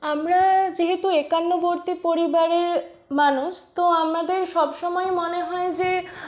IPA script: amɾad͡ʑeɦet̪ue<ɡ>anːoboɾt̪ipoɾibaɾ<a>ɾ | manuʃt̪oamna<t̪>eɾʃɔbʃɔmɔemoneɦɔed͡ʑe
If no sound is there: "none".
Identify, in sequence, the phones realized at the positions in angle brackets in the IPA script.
k, e, d̪

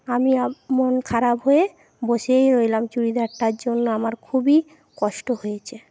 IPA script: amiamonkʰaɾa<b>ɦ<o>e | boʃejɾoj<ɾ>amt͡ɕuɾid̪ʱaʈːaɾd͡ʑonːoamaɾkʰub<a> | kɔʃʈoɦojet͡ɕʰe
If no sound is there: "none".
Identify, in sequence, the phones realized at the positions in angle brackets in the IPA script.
b, o, l, i

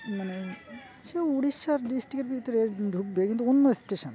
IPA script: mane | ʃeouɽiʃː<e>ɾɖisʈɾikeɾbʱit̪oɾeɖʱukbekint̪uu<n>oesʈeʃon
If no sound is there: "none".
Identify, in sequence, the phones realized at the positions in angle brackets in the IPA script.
a, nː

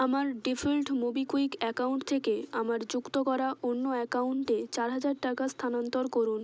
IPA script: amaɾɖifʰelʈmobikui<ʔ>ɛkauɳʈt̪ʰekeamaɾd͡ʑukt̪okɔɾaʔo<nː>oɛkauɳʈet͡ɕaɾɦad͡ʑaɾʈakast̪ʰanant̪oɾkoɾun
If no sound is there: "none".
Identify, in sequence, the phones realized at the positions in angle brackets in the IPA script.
k, nː

